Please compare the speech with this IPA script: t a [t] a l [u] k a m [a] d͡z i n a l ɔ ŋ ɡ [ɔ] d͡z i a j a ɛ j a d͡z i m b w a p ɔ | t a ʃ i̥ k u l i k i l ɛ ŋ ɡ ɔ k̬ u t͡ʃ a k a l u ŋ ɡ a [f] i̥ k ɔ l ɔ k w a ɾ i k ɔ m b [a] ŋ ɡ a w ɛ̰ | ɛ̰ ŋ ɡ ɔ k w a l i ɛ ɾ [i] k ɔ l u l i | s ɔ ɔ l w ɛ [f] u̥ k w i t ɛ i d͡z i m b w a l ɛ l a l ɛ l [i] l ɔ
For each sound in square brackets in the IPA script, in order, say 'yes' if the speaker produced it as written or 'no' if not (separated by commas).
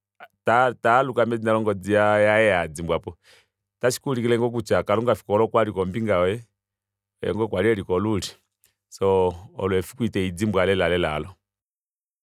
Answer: yes, yes, no, yes, yes, no, yes, yes, no